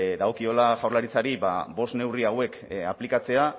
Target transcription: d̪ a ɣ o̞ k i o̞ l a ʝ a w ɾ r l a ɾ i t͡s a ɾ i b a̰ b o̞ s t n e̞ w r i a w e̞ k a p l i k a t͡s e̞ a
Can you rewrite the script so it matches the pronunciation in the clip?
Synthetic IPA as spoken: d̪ a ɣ o̞ k i o̞ l a ʝ a w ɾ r l a ɾ i t͡s a ɾ i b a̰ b o̞ s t n e̞ w r i a w e̞ k a p l i k a t͡s e̞ a